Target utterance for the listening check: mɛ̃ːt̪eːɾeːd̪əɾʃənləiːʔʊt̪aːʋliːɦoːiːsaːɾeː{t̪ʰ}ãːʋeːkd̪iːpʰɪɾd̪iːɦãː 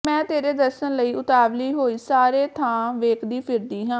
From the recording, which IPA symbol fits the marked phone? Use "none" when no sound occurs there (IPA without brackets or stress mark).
t̪ʰ